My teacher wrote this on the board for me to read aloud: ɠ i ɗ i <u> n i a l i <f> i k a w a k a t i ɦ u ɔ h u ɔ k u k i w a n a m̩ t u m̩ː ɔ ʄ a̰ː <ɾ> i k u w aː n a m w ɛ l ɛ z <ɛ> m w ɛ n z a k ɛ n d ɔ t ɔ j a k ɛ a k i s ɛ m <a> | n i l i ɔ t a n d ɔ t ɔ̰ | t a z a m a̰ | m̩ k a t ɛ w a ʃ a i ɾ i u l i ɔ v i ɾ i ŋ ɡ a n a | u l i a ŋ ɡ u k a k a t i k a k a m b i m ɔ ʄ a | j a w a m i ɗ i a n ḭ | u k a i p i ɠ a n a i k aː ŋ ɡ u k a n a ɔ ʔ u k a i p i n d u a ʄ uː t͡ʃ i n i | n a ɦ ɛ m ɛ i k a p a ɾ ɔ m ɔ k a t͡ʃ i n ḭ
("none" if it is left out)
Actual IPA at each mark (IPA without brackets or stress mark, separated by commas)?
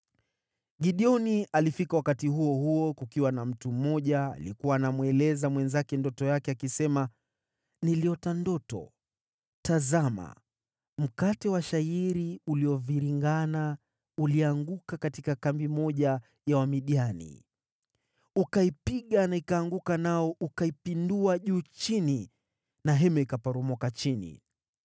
ɔ, f, l, a, a